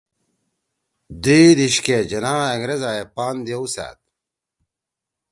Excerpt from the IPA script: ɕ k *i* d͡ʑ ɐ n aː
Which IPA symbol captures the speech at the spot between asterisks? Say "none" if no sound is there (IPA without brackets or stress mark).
e